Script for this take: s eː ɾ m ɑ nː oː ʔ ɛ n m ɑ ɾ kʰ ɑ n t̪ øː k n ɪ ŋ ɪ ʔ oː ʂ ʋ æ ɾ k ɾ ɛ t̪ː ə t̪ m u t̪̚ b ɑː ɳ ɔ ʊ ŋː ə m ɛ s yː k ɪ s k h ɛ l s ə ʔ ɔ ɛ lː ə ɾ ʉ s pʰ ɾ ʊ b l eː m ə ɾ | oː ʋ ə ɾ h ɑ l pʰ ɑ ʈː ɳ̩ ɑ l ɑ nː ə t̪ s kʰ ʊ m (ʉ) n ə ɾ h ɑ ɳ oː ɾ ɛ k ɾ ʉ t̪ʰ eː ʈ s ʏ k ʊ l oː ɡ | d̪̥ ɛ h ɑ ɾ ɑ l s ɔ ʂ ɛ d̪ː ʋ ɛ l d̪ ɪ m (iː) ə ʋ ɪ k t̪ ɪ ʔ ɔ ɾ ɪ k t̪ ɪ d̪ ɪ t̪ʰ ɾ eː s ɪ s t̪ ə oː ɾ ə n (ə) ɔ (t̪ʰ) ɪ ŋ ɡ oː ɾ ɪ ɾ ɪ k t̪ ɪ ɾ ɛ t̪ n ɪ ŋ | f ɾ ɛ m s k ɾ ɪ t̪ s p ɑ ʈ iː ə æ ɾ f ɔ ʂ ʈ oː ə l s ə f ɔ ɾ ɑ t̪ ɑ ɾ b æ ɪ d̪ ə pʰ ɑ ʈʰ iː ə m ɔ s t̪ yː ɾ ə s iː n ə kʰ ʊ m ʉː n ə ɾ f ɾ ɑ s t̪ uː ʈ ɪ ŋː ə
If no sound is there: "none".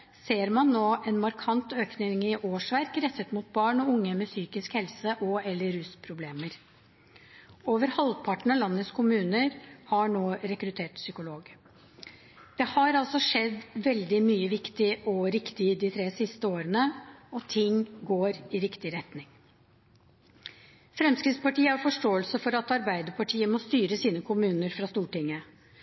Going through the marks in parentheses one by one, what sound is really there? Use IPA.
ʉː, yː, ə, t̪ʰ

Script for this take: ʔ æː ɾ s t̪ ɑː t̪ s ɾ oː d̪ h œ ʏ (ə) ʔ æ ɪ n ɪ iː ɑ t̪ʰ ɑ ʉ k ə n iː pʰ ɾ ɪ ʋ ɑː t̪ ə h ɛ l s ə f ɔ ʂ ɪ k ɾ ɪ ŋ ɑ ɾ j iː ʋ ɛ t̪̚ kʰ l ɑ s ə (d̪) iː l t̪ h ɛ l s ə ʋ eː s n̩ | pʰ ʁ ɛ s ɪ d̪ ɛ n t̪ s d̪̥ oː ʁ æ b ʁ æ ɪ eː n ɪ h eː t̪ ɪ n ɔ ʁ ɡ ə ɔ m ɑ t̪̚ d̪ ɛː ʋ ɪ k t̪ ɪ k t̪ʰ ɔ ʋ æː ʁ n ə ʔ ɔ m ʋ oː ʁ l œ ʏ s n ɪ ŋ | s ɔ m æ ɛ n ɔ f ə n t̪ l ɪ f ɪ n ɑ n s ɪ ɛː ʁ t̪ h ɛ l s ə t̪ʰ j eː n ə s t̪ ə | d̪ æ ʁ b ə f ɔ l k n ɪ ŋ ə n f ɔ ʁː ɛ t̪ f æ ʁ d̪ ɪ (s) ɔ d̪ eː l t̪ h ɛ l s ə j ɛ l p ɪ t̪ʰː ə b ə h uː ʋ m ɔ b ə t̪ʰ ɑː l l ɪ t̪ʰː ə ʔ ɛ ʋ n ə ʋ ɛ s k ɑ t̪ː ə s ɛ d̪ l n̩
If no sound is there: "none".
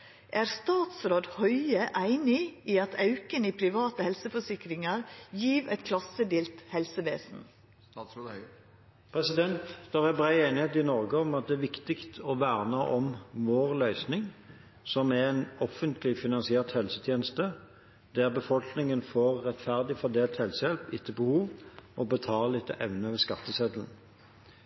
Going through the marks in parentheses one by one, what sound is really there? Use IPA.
ə, d̪, f

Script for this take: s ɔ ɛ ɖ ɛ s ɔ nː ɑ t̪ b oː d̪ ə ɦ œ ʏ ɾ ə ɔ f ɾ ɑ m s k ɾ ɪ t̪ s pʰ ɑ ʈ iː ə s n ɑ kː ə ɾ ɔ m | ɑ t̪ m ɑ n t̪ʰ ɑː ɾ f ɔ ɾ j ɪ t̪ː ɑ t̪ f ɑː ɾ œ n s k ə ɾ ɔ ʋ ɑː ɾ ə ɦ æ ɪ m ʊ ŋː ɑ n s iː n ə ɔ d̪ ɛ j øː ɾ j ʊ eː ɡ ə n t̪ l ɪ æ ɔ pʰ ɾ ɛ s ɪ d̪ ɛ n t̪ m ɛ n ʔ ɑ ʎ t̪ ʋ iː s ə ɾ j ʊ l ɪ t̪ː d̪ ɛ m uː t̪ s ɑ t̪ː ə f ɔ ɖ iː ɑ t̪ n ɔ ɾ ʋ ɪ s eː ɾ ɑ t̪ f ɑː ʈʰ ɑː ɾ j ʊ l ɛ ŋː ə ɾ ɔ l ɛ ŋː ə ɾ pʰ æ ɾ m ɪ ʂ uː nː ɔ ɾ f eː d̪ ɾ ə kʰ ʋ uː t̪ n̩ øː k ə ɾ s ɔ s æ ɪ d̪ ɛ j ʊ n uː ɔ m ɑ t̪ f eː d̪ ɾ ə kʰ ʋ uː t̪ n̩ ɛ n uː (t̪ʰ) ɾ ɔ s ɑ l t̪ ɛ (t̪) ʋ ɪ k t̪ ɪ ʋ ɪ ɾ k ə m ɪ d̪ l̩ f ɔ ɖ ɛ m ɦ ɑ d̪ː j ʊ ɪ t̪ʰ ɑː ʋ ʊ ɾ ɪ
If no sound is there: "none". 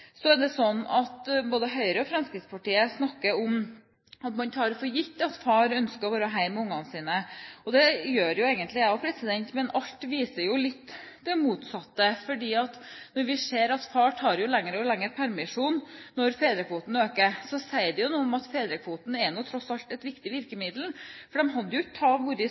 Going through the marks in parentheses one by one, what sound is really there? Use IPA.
t̪ʰ, t̪

